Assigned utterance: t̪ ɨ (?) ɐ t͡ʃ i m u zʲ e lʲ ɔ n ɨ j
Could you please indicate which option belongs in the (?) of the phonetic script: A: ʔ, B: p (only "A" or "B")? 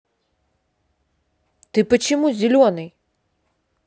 B